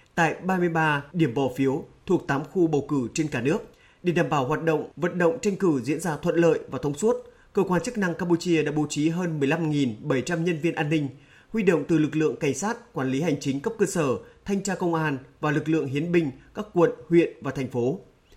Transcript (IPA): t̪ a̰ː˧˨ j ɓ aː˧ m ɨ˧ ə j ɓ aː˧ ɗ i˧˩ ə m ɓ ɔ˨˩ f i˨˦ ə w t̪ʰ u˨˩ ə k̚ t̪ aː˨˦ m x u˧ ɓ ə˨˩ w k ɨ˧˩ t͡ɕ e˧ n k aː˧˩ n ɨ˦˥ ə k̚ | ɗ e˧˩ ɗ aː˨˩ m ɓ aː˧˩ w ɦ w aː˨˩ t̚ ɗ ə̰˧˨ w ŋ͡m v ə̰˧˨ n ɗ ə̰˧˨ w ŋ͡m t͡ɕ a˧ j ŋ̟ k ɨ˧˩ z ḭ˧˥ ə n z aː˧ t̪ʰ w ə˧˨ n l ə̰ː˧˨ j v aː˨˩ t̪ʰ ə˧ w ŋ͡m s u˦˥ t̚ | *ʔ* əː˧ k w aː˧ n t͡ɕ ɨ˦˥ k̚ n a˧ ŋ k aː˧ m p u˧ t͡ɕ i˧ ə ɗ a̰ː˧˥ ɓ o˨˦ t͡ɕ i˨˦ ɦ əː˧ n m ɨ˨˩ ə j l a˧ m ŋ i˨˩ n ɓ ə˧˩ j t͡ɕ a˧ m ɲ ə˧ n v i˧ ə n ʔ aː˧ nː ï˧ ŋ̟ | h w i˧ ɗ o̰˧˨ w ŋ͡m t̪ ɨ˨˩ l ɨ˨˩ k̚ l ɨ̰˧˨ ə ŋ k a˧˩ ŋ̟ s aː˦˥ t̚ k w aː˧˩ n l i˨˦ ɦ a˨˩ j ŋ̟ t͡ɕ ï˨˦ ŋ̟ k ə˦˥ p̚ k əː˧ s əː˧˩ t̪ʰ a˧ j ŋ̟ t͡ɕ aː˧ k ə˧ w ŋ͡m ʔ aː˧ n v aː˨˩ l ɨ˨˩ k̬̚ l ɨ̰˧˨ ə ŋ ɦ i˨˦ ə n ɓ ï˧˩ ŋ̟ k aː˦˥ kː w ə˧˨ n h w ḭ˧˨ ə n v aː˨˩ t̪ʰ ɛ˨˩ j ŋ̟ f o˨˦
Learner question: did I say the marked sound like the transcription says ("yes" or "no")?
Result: no